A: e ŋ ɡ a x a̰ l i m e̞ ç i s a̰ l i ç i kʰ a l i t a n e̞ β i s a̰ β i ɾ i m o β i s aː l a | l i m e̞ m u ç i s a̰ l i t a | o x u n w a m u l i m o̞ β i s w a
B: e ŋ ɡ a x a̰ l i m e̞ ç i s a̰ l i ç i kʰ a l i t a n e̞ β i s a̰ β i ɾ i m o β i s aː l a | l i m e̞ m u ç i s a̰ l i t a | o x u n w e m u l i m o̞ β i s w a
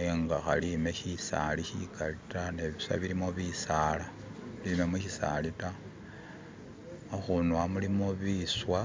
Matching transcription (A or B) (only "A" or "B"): A